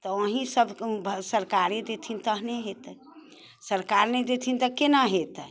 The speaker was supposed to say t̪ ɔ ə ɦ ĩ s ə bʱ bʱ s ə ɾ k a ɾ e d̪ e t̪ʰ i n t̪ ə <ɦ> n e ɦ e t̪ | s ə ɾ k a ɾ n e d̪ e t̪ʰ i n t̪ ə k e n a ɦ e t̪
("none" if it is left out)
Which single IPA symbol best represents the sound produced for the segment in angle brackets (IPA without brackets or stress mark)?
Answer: ɦ